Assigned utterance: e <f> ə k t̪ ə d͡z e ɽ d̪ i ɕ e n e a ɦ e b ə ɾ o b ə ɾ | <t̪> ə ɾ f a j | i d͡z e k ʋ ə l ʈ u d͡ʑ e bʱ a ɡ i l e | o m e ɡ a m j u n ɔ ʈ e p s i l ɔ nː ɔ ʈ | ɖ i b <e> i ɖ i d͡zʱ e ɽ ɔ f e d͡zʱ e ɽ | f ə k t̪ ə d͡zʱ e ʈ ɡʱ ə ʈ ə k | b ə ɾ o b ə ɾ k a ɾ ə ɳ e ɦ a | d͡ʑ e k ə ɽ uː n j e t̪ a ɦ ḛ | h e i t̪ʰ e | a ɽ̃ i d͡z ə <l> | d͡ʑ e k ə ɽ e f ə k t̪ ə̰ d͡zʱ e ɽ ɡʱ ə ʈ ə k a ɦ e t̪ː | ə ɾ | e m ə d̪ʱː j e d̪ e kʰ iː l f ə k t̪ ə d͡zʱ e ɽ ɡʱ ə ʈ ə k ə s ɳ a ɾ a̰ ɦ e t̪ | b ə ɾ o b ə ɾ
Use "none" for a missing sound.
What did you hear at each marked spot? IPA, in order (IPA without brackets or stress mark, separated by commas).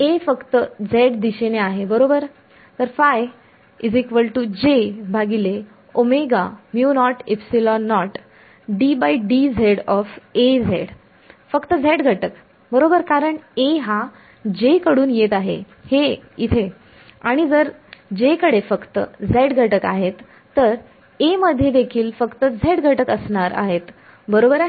f, t̪, a, ɾ